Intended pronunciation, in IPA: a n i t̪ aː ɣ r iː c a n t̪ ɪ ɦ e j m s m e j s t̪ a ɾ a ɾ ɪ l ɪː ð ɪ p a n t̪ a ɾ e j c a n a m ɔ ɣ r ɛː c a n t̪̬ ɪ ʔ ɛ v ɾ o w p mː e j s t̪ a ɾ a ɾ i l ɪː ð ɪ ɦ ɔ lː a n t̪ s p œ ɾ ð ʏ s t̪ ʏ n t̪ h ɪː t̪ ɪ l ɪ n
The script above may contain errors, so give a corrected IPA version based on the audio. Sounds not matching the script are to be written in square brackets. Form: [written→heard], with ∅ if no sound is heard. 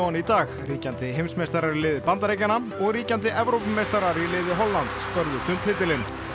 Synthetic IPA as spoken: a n i t̪ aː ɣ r iː c a n t̪ ɪ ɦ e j m s m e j s t̪ a ɾ a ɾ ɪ l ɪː ð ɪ p a n t̪ a ɾ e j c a n a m ɔ ɣ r [ɛː→iː] c a n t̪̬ ɪ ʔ ɛ v ɾ o w p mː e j s t̪ a ɾ a ɾ i l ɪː ð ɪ ɦ ɔ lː a n t̪ s p œ ɾ ð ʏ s t̪ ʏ n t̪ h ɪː t̪ ɪ l ɪ n